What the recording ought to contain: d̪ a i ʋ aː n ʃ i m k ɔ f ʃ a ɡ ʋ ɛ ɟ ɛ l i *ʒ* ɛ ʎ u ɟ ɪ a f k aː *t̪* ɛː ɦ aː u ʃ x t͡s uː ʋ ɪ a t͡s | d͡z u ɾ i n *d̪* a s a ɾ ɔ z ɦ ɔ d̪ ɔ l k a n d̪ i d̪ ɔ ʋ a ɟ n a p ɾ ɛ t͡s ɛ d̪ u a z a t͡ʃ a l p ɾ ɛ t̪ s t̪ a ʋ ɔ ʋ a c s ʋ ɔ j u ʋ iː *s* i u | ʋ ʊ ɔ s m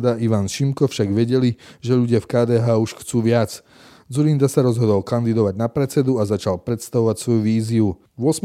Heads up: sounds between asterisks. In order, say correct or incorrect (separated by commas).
correct, incorrect, correct, incorrect